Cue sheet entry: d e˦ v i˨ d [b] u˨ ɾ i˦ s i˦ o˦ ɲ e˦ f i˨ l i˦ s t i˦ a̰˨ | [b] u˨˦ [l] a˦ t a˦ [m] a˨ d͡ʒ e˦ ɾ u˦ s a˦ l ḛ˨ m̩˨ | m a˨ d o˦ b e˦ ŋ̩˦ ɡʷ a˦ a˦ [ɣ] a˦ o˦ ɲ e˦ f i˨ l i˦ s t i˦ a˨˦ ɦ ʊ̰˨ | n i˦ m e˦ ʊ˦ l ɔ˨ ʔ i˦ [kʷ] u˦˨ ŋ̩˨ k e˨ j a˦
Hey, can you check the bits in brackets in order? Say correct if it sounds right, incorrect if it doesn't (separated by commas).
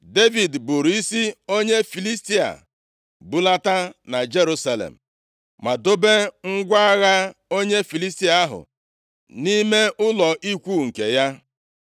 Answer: correct, correct, correct, incorrect, correct, correct